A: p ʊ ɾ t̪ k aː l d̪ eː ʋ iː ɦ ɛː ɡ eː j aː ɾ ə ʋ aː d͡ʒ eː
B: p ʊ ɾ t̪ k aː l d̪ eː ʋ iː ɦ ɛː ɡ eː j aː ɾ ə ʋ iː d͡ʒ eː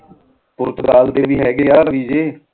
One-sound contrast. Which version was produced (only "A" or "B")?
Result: B